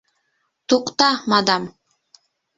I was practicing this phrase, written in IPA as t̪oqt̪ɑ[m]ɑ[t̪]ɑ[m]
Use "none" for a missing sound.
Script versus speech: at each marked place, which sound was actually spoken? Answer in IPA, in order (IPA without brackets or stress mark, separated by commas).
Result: m, d̪, m